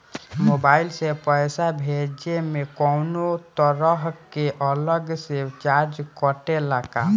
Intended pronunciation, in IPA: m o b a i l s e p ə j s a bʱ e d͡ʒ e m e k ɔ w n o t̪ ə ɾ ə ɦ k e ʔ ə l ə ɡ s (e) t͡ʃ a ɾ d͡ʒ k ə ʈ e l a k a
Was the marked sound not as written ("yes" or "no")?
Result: no